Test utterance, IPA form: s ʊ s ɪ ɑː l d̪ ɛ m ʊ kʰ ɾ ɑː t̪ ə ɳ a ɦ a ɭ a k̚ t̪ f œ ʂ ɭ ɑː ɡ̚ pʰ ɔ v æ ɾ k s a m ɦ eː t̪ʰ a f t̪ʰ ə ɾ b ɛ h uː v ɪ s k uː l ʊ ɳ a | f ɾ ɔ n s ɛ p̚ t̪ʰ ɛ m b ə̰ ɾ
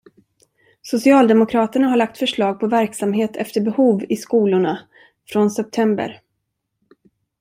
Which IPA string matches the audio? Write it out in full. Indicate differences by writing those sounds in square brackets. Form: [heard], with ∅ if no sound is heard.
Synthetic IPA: s ʊ s ɪ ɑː l d̪ ɛ m ʊ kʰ ɾ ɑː t̪ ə ɳ a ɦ a ɭ a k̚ t̪ f œ ʂ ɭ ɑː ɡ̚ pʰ ɔ v æ ɾ k s a m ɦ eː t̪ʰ [ɛ] f [t̪] ə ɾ b ɛ h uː v ɪ s k uː l ʊ ɳ a | f ɾ ɔ n s ɛ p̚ t̪ʰ ɛ m b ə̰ ɾ